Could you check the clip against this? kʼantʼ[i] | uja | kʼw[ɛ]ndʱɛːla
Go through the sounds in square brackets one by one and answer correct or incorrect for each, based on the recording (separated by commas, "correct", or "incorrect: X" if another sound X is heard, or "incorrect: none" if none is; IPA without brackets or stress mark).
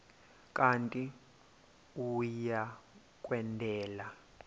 correct, correct